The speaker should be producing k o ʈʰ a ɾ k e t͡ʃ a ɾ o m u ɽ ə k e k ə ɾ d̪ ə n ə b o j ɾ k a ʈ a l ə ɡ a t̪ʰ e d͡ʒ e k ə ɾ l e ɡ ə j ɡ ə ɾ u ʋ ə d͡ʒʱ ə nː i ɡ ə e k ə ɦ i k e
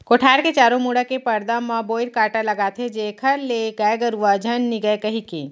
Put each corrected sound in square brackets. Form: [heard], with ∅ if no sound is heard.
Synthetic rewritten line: k o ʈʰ a ɾ k e t͡ʃ a ɾ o m u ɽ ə k e [p] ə ɾ d̪ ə [m] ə b o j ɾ k a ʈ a l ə ɡ a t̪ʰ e d͡ʒ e [kʰ] ə ɾ l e ɡ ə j ɡ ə ɾ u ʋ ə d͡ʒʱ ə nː i ɡ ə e k ə ɦ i k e